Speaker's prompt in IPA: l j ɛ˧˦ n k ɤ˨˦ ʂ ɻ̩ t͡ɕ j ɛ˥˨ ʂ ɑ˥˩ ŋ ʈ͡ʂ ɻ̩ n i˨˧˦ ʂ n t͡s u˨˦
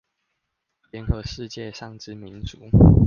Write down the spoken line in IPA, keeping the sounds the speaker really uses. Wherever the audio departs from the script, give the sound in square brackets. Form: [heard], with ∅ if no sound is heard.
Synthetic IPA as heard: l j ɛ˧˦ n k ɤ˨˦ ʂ ɻ̩ t͡ɕ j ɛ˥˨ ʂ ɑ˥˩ ŋ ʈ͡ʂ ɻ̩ [m] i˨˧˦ [∅] n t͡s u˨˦